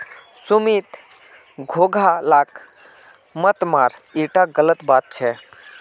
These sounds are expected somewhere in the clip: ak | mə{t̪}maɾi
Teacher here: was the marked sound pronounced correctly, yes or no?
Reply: yes